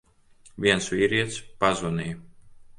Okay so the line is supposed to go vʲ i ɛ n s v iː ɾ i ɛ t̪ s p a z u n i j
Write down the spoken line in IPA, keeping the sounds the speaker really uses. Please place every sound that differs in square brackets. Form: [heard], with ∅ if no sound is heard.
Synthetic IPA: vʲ i ɛ n s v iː ɾ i ɛ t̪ s p a z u n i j